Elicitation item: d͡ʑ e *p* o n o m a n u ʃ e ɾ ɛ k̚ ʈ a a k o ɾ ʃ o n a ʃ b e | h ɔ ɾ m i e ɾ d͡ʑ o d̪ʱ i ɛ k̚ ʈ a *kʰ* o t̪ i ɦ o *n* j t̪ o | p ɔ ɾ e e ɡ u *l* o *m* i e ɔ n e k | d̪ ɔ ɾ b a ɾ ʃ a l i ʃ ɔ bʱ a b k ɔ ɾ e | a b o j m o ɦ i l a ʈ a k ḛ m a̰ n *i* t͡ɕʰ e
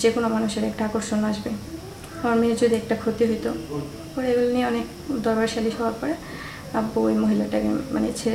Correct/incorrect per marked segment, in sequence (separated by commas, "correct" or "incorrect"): incorrect, correct, incorrect, correct, incorrect, incorrect